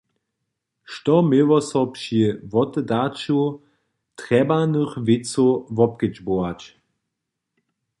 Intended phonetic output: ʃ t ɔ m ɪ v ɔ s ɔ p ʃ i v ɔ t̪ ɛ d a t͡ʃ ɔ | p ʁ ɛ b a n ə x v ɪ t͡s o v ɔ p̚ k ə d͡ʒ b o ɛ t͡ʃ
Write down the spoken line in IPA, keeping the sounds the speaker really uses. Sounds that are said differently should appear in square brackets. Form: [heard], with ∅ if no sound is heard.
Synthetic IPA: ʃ t ɔ m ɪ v ɔ s ɔ p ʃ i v ɔ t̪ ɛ d a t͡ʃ [u] | [t] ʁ ɛ b a n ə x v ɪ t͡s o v ɔ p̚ k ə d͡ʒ b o [a] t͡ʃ